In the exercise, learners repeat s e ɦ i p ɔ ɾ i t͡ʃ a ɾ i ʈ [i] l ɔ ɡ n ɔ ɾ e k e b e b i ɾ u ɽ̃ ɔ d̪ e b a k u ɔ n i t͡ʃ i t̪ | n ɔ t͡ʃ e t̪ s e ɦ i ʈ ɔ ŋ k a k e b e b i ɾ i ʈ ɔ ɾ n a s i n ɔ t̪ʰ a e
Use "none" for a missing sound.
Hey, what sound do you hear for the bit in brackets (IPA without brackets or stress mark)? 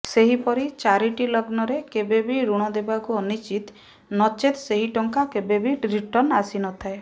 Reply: i